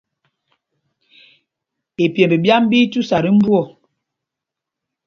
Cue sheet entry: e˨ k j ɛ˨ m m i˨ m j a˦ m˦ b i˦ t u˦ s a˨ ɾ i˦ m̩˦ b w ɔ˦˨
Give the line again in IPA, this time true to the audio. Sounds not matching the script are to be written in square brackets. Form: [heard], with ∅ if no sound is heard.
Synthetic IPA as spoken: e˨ [p] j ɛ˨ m [b] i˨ [b] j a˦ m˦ b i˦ t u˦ s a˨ ɾ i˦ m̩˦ b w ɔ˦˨